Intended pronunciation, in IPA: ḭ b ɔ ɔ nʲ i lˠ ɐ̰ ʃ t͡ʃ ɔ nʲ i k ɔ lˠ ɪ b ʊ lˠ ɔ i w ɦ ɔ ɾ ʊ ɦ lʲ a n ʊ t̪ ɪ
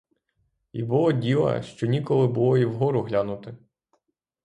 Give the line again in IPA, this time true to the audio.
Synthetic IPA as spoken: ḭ b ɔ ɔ dʲ i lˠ ɐ̰ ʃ t͡ʃ ɔ nʲ i k ɔ lˠ ɪ b ʊ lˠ ɔ i w ɦ ɔ ɾ ʊ ɦ lʲ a n ʊ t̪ ɪ